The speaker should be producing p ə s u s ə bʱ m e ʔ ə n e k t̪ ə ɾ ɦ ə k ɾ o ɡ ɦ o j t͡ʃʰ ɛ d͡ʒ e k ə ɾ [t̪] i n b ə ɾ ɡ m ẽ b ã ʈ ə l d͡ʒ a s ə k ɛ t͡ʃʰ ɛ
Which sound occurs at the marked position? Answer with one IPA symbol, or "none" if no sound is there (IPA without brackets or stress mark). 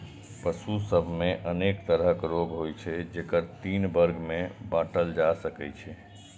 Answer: t̪